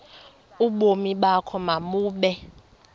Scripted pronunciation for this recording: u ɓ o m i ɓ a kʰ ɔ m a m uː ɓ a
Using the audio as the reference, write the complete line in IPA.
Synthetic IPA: u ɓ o m i ɓ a kʰ ɔ m a m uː ɓ ɛ

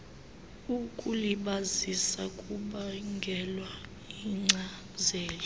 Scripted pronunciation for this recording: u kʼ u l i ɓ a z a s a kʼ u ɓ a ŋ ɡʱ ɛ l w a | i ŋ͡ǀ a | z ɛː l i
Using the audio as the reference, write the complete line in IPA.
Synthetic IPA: u kʼ u l i ɓ a z i s a kʼ u ɓ a ŋ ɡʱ ɛ l w a | i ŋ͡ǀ a | z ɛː l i

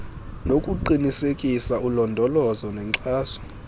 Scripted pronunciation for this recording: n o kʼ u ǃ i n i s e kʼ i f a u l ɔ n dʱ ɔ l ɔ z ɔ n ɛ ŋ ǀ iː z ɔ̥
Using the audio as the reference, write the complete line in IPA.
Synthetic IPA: n o kʼ u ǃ i n i s e kʼ i s a u l ɔ n dʱ ɔ l ɔ z ɔ n ɛ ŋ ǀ aː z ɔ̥

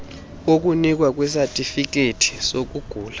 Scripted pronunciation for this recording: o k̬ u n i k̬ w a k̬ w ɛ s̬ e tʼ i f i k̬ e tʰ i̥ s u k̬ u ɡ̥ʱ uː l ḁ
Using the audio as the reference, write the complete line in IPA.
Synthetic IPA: o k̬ u n i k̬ w a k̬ w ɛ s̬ a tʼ i f i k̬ e tʰ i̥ s o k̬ u ɡ̥ʱ uː l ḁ

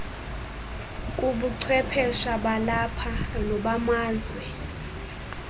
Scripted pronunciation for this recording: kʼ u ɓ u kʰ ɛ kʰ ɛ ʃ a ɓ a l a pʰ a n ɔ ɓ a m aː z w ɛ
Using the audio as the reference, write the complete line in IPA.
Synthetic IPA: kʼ u ɓ u ǀʰ ɛ pʰ ɛ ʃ a ɓ a l a pʰ a n ɔ ɓ a m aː z w ɛ

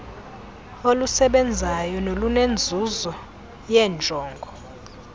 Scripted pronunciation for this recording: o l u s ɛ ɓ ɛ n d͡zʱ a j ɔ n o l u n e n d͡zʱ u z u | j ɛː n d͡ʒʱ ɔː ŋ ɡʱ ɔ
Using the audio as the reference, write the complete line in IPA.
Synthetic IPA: o l u s ɛ ɓ ɛ n d͡zʱ a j ɔ n o l u n e n d͡zʱ u z ɔ | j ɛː n d͡ʒʱ ɔː ŋ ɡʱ ɔ

